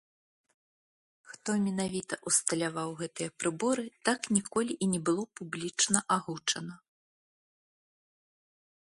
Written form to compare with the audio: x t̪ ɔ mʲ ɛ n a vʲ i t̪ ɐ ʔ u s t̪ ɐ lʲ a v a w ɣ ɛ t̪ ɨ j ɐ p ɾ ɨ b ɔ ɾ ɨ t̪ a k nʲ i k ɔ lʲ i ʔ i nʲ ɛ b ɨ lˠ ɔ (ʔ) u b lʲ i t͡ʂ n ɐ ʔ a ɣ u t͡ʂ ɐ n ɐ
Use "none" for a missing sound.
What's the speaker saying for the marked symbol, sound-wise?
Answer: p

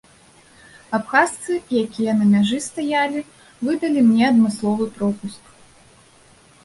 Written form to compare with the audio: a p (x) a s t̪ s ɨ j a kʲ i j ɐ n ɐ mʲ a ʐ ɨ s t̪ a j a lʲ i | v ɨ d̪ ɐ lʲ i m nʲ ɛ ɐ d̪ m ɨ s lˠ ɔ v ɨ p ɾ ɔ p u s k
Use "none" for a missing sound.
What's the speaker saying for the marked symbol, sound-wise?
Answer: x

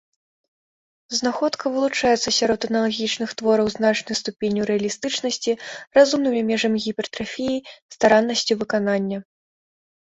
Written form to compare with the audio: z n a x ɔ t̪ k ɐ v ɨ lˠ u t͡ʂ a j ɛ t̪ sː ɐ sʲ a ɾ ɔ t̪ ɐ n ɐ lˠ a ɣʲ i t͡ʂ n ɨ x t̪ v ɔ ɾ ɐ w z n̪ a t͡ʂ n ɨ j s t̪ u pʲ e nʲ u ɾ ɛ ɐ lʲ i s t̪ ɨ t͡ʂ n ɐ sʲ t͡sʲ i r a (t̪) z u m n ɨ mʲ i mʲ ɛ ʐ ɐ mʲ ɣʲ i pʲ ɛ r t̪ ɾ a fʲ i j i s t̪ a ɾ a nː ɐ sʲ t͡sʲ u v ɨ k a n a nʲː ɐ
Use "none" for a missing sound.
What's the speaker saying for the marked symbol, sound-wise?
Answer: none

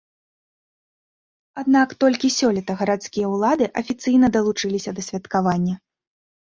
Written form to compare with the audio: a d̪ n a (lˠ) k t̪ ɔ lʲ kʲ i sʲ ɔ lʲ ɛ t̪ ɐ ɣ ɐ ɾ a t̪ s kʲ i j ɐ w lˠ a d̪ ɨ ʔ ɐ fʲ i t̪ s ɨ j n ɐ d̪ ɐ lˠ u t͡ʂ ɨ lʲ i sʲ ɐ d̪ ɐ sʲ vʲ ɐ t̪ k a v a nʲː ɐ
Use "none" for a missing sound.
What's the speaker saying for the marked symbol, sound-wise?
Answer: none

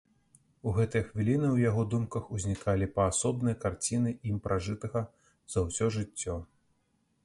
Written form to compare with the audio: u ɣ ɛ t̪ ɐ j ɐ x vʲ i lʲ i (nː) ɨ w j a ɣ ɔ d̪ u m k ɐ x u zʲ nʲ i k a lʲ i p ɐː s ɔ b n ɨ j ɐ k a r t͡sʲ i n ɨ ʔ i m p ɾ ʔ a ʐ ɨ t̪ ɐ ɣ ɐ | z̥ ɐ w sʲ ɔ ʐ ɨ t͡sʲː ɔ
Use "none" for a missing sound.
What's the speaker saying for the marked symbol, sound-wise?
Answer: n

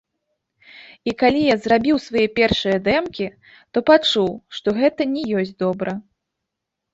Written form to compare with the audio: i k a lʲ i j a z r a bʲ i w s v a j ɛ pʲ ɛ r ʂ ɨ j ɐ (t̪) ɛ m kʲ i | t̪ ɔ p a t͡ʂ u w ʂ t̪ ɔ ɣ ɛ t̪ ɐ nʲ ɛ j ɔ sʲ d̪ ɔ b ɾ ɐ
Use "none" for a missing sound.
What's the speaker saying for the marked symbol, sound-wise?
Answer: d̪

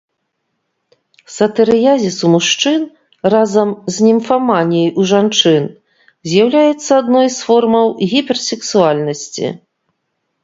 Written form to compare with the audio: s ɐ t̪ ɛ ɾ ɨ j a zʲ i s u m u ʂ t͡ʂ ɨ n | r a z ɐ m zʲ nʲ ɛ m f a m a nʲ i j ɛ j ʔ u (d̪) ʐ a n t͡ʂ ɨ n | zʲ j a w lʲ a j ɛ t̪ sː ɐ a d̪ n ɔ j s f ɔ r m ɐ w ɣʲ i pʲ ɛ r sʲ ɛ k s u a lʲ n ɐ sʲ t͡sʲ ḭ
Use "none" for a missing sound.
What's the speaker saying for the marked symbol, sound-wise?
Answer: none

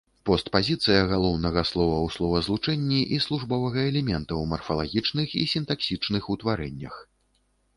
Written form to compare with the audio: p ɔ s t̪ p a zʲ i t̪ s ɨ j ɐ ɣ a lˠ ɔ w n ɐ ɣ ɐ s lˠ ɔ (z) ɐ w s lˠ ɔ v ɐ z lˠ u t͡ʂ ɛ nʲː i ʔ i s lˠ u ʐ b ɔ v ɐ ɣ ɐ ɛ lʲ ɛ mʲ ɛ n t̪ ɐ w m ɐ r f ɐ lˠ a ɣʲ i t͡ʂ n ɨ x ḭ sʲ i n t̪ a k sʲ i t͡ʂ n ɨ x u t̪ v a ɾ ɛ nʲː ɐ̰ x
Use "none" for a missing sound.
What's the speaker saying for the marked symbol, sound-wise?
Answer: v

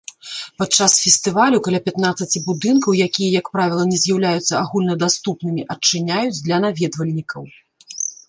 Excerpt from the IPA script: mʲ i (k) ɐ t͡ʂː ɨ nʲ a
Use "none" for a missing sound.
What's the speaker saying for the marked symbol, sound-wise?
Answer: ʔ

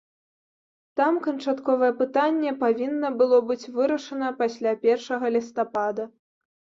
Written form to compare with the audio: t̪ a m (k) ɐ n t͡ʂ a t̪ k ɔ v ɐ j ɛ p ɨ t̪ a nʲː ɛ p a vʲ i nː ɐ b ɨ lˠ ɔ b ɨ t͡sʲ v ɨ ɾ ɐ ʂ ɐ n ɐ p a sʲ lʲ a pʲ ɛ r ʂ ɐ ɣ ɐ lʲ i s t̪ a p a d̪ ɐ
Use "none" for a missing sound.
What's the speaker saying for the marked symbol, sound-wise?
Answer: k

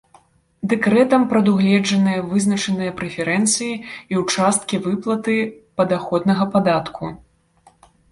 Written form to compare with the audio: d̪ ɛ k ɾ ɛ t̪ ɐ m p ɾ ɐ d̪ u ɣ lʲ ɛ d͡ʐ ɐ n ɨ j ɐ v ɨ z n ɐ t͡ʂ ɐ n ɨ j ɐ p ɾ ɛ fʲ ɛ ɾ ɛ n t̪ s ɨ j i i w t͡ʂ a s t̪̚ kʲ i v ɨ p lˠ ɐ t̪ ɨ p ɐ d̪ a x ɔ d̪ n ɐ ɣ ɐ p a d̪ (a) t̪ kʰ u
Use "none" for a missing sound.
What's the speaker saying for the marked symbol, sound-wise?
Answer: a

